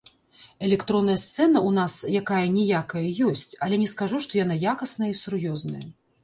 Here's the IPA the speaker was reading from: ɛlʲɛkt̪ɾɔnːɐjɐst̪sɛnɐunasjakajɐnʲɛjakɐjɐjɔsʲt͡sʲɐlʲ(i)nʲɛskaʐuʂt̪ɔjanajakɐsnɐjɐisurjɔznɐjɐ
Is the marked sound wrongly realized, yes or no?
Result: yes